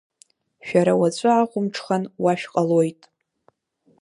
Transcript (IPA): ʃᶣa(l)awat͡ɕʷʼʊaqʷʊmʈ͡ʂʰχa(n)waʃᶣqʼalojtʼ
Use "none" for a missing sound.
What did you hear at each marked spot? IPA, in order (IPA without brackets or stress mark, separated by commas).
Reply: ɾ, n